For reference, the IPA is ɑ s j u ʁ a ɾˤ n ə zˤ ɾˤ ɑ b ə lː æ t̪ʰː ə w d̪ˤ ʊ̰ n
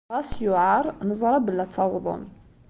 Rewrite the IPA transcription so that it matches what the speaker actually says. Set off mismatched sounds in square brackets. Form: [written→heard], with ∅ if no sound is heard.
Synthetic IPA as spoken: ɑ s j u [ʁ→ʕ] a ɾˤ n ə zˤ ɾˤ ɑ b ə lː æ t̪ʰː [ə→ɑ] w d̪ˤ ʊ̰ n